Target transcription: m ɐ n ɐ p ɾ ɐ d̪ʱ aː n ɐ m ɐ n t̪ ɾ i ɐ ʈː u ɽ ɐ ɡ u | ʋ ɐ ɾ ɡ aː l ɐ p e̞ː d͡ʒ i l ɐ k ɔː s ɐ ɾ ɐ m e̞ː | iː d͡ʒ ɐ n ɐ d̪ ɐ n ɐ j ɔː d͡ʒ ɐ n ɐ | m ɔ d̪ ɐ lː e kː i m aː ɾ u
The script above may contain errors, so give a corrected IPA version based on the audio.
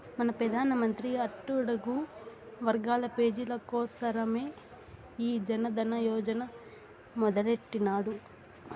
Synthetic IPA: m ɐ n ɐ p ɾ ɐ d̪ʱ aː n ɐ m ɐ n t̪ ɾ i ɐ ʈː u ɽ ɐ ɡ u | ʋ ɐ ɾ ɡ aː l ɐ p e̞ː d͡ʒ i l ɐ k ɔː s ɐ ɾ ɐ m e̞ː | iː d͡ʒ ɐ n ɐ d̪ ɐ n ɐ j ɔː d͡ʒ ɐ n ɐ | m ɔ d̪ ɐ l e ʈː i n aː ɽ u